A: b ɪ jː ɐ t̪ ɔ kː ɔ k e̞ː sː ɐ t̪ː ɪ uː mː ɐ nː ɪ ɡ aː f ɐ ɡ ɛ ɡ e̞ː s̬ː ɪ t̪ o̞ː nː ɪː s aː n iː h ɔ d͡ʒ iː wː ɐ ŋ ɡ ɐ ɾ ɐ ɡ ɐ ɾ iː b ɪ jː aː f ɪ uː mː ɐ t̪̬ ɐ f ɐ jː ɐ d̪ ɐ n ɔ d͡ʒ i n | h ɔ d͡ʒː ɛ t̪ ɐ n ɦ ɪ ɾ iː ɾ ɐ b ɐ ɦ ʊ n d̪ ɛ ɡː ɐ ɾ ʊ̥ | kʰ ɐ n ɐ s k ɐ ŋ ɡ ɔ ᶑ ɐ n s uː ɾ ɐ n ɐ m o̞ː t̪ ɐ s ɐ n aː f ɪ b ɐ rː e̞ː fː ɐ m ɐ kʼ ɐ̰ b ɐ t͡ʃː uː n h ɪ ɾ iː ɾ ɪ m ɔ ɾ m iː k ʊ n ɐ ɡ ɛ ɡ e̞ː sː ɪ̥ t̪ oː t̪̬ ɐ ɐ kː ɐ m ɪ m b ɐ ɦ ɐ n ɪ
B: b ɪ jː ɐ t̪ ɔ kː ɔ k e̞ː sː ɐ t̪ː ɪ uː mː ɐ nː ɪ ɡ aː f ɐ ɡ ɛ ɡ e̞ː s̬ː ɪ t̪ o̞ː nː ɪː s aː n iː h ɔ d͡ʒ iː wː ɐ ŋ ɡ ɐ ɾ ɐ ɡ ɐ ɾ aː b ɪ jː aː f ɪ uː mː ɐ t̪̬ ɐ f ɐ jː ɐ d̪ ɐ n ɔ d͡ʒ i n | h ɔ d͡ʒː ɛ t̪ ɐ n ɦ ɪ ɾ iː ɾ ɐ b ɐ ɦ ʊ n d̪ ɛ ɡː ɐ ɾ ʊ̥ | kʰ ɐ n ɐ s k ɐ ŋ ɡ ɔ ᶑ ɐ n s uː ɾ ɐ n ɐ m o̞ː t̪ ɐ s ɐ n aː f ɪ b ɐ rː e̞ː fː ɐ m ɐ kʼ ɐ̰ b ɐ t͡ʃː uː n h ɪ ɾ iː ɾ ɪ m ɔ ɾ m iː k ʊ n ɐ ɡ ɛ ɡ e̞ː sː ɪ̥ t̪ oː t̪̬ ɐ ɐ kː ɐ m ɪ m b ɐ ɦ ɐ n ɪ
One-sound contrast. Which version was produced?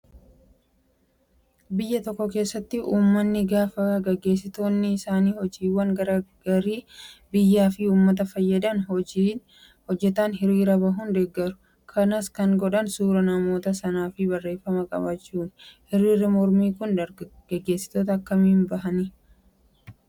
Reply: A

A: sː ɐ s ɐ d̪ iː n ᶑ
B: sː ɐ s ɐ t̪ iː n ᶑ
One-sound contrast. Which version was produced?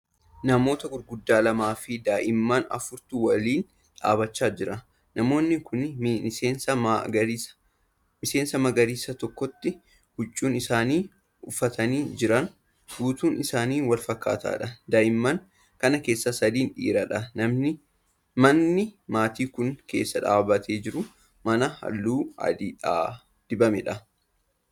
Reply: A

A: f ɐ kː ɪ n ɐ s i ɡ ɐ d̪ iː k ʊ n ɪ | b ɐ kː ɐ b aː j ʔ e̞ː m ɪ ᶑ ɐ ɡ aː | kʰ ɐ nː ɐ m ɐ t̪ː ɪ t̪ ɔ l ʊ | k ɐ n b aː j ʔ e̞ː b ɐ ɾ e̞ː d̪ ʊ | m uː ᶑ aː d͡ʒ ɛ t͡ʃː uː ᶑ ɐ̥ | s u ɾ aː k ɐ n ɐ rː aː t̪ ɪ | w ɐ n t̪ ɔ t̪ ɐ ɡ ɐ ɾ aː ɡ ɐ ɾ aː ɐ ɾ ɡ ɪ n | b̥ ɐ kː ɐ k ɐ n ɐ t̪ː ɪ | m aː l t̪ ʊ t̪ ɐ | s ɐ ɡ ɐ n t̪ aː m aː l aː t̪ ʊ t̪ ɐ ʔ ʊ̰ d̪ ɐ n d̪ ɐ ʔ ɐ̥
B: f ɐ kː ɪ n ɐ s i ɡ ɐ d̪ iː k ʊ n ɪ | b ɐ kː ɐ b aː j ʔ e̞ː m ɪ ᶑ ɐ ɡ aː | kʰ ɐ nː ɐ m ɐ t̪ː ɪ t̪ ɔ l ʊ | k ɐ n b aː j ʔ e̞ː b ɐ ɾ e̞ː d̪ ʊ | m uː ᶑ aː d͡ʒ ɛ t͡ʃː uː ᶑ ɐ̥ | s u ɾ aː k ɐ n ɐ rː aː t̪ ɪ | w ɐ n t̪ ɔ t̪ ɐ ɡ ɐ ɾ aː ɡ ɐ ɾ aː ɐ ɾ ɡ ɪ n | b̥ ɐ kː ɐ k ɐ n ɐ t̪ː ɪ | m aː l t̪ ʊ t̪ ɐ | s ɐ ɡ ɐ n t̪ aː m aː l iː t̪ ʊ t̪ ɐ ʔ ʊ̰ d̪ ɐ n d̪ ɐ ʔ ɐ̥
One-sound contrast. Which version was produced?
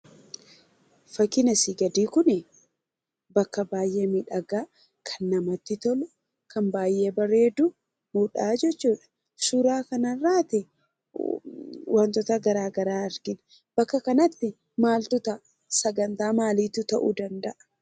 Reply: B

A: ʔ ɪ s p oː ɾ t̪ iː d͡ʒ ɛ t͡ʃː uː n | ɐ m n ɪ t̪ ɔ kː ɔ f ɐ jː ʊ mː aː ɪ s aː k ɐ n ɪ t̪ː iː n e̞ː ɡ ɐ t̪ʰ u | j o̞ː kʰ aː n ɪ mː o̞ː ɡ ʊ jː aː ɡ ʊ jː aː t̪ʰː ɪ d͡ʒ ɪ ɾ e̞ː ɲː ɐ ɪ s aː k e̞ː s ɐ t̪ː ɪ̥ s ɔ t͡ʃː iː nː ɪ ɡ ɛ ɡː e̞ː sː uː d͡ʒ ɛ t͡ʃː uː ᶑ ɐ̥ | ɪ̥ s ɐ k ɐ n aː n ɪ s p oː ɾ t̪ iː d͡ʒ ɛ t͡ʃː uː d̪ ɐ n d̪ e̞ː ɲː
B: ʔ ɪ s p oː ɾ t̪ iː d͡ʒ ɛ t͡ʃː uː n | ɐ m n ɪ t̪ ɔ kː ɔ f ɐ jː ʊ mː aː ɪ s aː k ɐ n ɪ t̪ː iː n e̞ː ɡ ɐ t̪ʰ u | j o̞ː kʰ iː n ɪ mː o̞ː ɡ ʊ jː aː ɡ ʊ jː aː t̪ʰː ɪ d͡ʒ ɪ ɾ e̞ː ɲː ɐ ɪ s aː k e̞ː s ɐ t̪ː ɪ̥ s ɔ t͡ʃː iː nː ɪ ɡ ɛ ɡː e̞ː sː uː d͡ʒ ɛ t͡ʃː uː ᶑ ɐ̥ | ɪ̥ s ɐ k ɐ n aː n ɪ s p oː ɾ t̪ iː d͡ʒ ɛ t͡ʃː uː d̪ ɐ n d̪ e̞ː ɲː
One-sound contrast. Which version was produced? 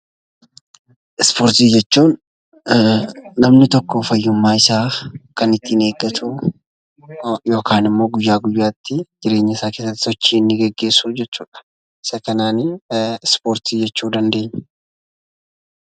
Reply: A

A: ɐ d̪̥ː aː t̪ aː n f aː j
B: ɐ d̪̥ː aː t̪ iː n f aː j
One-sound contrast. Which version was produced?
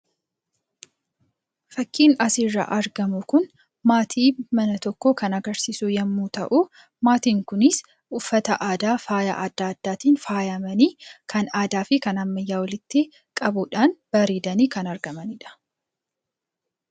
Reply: B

